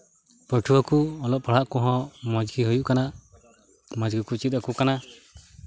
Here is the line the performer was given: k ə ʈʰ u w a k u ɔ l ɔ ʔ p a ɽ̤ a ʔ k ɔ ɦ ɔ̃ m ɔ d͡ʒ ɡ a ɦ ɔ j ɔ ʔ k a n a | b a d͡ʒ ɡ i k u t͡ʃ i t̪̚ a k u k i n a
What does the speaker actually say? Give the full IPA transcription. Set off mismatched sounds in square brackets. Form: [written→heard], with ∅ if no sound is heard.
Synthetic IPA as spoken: [k→p] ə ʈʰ u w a k u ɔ l ɔ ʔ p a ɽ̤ a ʔ k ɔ ɦ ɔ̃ m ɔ d͡ʒ ɡ [a→i] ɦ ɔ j [ɔ→u] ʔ k a n a | [b→m] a d͡ʒ ɡ i k u t͡ʃ i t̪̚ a k u k [i→a] n a